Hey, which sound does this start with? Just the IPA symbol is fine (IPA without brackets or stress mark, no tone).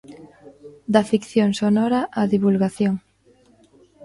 d̪